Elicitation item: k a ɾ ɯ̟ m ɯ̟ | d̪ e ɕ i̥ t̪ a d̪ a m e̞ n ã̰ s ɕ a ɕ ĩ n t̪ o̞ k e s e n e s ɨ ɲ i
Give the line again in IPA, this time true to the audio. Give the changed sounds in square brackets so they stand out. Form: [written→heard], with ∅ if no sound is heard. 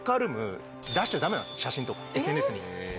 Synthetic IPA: k a ɾ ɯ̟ m ɯ̟ | d̪ [e→a] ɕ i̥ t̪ a d̪ a m e̞ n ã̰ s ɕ a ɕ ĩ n t̪ o̞ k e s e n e s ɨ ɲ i